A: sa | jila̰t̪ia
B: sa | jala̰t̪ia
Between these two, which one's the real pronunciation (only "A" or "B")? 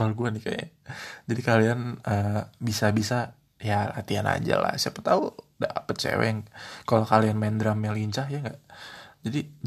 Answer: B